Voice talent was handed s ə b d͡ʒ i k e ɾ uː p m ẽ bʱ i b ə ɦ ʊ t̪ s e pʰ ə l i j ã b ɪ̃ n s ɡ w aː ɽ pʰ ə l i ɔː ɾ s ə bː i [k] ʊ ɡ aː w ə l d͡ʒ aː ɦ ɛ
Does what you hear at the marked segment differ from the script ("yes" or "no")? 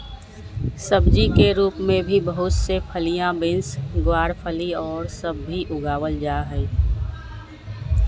yes